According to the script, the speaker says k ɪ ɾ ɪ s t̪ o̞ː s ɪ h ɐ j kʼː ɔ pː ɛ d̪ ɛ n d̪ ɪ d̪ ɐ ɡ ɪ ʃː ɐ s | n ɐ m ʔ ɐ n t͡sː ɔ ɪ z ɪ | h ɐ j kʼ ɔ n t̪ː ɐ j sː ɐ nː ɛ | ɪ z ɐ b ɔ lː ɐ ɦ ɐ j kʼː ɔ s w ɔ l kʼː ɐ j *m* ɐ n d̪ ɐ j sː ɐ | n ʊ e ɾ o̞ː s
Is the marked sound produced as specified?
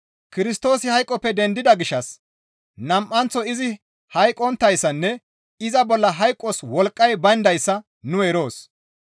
no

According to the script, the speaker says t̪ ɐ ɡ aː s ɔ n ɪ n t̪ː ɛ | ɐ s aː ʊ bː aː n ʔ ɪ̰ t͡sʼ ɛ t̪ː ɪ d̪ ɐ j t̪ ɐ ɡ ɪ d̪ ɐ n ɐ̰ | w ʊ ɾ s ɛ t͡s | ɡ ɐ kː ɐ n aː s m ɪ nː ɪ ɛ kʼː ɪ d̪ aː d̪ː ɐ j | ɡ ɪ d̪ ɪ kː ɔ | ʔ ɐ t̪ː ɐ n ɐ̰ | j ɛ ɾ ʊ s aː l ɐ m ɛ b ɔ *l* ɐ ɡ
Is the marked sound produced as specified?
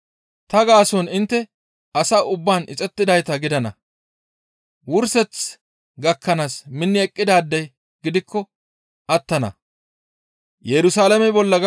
no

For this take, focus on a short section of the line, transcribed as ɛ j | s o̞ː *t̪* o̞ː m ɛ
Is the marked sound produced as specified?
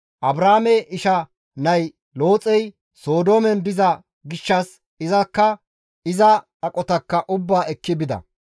no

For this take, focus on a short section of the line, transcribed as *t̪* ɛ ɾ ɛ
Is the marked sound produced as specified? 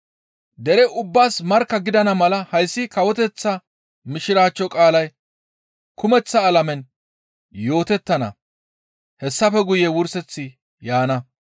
no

